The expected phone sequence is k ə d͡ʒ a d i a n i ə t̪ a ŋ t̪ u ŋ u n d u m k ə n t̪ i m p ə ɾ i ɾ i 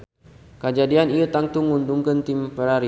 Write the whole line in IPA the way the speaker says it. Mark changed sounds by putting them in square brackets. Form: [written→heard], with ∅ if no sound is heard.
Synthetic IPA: k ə d͡ʒ a d i a n i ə t̪ a ŋ t̪ u ŋ u n d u [m→ŋ] k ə n t̪ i m p ə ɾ [i→a] ɾ i